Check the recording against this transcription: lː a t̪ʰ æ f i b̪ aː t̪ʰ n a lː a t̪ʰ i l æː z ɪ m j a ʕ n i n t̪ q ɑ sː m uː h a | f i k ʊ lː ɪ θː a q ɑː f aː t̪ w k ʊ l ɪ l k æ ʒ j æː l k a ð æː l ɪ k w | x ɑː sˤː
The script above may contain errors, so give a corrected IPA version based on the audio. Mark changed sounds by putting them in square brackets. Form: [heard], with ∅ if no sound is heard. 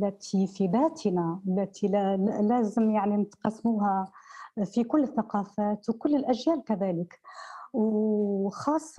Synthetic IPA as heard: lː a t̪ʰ [i] f i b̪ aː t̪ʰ n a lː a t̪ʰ i l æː z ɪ m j a ʕ n i n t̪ q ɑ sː m uː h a | f i k ʊ lː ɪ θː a q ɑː f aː t̪ w k ʊ [lː] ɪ l [ʔ] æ ʒ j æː l k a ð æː l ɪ k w | x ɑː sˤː